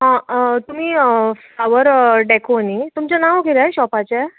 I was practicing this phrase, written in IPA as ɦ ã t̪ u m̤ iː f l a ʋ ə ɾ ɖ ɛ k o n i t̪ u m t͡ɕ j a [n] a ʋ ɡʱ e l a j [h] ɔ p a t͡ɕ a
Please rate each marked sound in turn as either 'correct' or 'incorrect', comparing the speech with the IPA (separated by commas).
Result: correct, incorrect